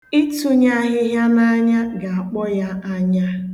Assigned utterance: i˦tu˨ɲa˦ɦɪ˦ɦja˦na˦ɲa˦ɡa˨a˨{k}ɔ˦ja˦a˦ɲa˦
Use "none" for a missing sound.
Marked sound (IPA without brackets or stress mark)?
k͡p